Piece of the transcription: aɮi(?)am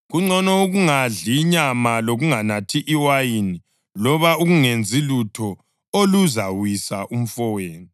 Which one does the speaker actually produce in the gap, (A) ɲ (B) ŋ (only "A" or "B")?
A